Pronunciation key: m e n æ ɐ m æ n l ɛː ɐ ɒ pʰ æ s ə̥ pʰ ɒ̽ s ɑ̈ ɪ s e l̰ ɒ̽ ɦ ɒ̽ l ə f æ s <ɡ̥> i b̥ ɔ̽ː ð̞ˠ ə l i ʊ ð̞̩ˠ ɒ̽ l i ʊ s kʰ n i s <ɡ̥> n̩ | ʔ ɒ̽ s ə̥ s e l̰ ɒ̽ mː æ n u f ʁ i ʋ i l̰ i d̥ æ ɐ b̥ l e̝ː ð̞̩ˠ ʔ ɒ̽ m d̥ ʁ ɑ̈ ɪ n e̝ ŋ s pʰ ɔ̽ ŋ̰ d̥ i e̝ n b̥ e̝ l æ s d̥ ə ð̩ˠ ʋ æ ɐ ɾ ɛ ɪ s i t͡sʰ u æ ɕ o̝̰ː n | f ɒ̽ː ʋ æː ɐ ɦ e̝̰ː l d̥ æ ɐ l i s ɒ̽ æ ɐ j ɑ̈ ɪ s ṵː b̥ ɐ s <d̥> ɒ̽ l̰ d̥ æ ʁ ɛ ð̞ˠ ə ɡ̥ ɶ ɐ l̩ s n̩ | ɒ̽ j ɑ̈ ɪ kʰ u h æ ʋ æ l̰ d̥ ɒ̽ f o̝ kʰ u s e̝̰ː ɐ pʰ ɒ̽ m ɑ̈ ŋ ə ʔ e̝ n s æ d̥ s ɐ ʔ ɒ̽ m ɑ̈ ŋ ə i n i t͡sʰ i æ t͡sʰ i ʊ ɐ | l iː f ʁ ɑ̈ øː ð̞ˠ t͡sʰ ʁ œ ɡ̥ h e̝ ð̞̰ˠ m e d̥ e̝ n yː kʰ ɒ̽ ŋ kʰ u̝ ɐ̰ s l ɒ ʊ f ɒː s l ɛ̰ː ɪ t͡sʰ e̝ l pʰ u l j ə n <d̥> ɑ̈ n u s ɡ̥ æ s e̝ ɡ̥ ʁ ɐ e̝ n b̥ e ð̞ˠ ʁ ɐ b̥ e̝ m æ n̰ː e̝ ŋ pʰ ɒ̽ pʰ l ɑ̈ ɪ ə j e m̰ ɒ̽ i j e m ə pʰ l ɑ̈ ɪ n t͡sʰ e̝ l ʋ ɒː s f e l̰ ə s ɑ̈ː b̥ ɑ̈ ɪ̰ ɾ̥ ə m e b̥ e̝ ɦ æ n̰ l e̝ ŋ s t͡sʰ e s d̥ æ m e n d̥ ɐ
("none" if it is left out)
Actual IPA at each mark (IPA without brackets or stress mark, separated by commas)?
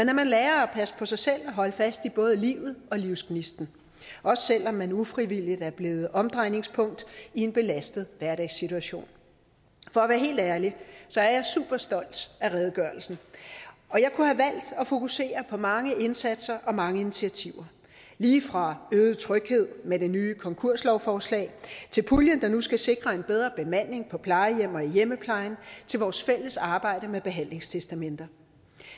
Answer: d̥, d̥, d̥, d̥